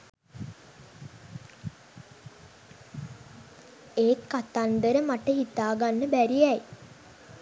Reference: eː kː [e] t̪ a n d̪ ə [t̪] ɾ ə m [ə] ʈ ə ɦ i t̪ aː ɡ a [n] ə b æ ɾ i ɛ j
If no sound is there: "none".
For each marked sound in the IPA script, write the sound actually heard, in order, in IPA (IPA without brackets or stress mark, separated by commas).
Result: a, none, a, nː